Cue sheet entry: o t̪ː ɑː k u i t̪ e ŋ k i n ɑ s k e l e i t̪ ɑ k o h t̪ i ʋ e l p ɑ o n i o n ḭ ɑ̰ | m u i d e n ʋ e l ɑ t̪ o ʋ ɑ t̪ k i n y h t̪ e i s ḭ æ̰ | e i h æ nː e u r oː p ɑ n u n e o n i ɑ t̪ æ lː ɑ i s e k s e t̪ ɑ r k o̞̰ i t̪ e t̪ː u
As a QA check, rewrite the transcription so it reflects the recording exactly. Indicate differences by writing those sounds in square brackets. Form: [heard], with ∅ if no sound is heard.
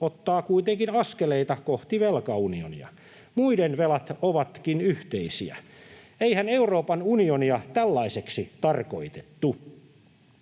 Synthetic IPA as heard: o t̪ː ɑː k u i t̪ e ŋ k i n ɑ s k e l e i t̪ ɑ k o h t̪ i ʋ e l [k] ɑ [u] n i o n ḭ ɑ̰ | m u i d e n ʋ e l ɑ t̪ o ʋ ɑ t̪ k i n y h t̪ e i s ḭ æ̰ | e i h æ [n] e u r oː p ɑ n u n [i] o n i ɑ t̪ æ lː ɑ i s e k s [i] t̪ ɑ r k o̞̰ i t̪ e t̪ː u